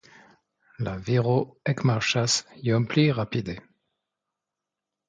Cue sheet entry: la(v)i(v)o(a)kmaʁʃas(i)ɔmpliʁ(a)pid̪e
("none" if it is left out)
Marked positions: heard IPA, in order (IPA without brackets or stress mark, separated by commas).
v, ʁ, ɛ, j, a